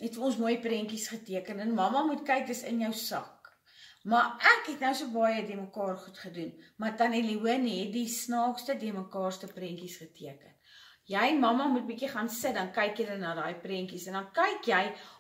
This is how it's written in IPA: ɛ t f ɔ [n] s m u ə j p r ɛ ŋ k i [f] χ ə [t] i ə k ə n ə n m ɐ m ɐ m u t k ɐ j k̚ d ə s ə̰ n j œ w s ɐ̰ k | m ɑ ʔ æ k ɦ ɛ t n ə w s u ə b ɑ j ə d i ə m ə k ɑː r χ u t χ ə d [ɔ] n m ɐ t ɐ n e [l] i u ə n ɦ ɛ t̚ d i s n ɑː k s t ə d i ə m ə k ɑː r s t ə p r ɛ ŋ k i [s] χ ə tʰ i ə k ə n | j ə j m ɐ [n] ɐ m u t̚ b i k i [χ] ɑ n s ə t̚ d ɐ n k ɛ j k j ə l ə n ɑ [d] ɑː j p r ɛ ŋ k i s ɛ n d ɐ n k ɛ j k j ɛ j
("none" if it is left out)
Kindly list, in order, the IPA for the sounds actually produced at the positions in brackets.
n, s, t, u, l, s, m, χ, d

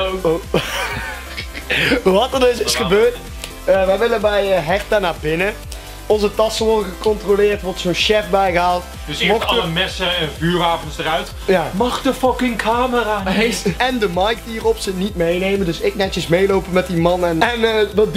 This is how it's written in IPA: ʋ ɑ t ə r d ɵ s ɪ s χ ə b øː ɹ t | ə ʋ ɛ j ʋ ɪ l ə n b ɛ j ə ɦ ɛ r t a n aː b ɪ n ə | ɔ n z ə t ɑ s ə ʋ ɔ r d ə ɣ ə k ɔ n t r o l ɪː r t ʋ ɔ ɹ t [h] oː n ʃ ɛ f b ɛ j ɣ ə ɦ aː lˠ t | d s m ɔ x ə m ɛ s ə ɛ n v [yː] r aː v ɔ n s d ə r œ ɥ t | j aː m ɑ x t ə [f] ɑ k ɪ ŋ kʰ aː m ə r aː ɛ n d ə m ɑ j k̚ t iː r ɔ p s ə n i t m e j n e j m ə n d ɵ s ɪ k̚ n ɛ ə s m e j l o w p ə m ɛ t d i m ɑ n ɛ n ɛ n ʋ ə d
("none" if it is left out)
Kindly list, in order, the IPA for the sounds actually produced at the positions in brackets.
s, yː, f

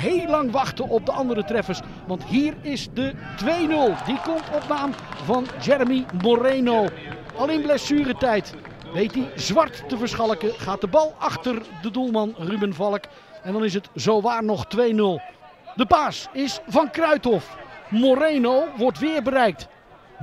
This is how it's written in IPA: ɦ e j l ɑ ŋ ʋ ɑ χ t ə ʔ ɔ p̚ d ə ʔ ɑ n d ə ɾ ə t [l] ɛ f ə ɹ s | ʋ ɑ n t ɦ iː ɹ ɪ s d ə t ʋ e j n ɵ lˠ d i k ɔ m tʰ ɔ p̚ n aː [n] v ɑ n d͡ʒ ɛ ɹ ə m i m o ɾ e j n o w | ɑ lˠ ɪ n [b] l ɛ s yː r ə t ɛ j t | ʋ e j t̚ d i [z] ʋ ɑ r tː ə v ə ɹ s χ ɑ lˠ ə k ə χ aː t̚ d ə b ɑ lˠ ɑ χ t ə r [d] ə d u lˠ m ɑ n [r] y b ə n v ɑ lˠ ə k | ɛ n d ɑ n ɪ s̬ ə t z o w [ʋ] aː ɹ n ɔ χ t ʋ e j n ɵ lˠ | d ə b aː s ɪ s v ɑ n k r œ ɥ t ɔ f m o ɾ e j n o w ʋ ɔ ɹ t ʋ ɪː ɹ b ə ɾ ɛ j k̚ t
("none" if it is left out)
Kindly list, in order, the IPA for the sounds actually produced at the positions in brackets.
r, m, b, z, d, r, ʋ

